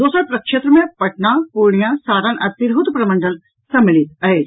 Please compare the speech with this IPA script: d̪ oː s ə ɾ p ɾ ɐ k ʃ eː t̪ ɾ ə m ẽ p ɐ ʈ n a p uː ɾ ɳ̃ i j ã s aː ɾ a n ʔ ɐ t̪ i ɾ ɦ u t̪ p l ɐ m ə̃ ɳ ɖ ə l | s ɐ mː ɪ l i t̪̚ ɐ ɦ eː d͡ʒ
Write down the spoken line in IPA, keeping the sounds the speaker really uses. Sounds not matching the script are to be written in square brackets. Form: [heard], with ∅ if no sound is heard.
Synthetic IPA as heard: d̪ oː s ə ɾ p ɾ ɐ k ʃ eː t̪ ɾ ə m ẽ p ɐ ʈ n a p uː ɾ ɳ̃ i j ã s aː ɾ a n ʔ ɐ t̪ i ɾ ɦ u t̪ p [ɾ] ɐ m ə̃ ɳ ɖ ə l | s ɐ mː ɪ l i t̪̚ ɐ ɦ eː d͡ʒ